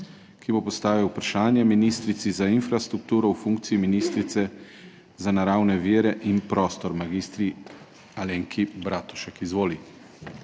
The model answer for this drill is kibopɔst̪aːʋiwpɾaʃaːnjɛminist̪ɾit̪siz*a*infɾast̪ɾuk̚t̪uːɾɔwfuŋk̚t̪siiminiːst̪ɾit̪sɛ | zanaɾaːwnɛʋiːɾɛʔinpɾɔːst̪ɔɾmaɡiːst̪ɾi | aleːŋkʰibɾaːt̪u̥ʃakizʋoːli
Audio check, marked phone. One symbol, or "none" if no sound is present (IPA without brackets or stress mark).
a